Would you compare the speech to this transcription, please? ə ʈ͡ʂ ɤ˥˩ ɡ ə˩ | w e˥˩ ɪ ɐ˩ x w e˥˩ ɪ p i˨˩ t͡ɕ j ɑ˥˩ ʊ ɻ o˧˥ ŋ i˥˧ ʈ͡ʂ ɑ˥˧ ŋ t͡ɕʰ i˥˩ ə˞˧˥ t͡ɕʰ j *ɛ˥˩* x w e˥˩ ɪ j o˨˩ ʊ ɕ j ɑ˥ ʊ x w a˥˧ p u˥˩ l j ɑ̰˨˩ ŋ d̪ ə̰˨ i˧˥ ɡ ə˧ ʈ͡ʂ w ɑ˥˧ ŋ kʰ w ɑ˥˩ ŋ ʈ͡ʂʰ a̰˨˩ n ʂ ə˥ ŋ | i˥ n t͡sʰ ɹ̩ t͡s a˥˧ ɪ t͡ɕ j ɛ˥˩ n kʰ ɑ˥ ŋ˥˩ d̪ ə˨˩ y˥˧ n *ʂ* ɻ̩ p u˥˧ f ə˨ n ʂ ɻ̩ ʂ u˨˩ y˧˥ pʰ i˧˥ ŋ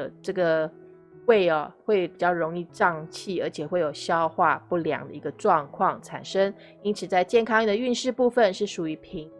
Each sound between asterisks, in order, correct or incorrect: incorrect: ɛ˨˩, correct

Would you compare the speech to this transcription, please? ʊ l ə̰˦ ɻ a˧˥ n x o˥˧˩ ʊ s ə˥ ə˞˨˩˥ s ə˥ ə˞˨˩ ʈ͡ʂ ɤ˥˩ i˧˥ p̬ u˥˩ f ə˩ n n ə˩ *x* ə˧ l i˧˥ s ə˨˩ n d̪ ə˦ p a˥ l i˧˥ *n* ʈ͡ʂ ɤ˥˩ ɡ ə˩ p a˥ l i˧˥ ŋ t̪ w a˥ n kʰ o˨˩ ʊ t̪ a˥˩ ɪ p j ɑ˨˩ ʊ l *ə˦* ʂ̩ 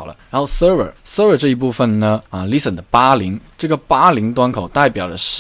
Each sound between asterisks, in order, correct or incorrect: incorrect: none, incorrect: ŋ, correct

